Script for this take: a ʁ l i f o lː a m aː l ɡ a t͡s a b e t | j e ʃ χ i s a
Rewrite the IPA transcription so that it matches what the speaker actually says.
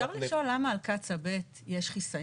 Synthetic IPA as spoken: a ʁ l i ʃ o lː a m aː l k a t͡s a b e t | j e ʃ χ i s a